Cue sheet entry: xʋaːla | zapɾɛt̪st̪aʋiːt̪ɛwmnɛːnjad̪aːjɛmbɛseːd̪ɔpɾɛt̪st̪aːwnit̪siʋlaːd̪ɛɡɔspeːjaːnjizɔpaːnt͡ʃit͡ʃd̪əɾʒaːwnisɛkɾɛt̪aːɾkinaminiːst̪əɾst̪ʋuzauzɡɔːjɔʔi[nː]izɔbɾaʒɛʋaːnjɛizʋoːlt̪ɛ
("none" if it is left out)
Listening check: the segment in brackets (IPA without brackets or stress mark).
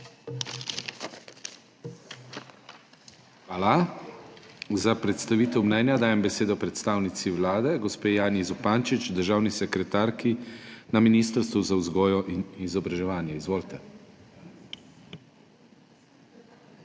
n